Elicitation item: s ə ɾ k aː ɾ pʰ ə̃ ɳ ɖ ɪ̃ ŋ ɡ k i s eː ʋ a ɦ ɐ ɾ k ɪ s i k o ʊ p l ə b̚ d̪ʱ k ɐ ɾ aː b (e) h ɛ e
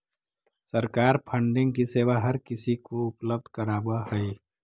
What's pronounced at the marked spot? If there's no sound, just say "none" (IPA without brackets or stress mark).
a